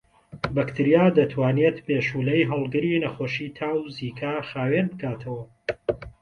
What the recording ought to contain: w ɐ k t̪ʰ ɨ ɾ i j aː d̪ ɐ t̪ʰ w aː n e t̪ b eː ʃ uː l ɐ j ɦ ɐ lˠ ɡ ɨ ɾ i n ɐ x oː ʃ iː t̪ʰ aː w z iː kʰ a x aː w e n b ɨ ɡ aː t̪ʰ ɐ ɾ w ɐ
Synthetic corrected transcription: b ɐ k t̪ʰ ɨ ɾ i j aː d̪ ɐ t̪ʰ w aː n e t̪ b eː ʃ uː l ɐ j ɦ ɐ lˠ ɡ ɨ ɾ i n ɐ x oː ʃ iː t̪ʰ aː w z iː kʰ a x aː w e n b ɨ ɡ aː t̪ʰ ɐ w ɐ